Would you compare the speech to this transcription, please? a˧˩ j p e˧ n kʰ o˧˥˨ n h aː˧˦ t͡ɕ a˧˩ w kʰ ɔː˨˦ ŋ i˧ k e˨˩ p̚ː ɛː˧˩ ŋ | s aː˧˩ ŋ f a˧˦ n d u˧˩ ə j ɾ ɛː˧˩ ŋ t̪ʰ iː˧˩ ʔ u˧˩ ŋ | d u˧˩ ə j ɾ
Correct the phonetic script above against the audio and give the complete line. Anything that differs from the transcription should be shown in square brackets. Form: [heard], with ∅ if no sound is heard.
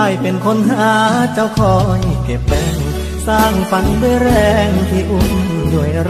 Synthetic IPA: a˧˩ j p e˧ n kʰ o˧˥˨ n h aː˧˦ t͡ɕ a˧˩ w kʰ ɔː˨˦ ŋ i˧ k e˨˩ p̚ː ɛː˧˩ ŋ | s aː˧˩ ŋ f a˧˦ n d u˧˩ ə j ɾ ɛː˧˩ ŋ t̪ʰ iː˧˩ ʔ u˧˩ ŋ | d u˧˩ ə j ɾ